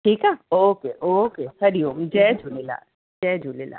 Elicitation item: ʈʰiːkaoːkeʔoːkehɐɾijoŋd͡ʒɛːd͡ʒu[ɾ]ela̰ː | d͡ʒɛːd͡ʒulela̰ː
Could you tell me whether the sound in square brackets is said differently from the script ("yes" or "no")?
yes